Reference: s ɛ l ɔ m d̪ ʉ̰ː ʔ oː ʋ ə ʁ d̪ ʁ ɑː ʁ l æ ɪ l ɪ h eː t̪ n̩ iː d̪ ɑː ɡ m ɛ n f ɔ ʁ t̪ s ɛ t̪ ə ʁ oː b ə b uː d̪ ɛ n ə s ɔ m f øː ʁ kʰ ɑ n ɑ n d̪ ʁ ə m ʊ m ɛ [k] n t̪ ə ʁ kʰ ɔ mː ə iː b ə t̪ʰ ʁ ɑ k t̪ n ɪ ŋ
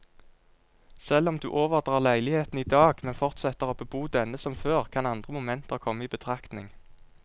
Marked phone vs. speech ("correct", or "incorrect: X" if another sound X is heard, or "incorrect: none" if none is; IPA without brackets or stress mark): incorrect: none